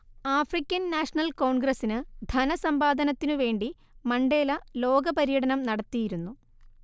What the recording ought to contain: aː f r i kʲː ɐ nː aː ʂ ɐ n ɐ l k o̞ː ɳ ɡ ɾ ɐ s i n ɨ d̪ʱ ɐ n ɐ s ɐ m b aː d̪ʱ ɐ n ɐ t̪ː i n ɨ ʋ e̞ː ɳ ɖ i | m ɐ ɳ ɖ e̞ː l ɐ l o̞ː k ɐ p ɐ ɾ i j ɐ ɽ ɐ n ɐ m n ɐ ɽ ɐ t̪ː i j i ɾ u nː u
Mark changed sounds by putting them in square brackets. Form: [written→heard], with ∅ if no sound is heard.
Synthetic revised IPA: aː f r i kʲː ɐ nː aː ʂ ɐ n ɐ l k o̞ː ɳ ɡ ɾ ɐ s i n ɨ d̪ʱ ɐ n ɐ s ɐ m b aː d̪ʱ ɐ n ɐ t̪ː i n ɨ ʋ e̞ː ɳ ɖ i | m ɐ ɳ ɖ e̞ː l ɐ l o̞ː [k→ɡ] ɐ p ɐ ɾ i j ɐ ɽ ɐ n ɐ m n ɐ ɽ ɐ t̪ː i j i ɾ u nː u